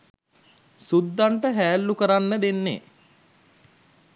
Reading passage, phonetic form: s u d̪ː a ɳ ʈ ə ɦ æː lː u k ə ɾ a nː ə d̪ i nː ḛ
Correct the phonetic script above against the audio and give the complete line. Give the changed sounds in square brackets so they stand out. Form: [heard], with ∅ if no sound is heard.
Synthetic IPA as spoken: s u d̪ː a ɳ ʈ ə ɦ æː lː u k ə ɾ a nː ə d̪ [e] nː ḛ